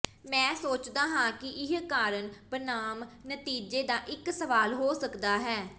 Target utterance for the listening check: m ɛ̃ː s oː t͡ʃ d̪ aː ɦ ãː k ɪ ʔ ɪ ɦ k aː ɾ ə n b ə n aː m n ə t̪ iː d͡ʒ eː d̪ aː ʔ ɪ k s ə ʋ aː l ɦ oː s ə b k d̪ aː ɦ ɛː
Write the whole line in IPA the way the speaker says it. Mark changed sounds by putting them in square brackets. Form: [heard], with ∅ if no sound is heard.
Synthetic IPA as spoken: m ɛ̃ː s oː t͡ʃ d̪ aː ɦ ãː k ɪ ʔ ɪ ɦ k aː ɾ ə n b ə n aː m n ə t̪ iː d͡ʒ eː d̪ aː ʔ ɪ k s ə ʋ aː l ɦ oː s ə [∅] k d̪ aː ɦ ɛː